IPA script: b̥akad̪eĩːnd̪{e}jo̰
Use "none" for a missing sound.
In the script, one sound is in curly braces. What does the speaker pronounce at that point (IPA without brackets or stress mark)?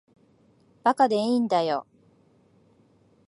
a